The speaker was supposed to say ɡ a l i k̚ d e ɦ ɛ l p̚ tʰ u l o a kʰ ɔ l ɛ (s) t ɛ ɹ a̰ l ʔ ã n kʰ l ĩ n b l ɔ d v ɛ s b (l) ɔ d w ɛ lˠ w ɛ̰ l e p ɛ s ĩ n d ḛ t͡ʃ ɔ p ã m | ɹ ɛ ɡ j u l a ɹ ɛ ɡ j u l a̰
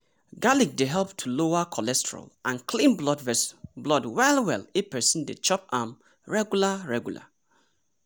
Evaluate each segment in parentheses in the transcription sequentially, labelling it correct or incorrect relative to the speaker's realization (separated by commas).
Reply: correct, correct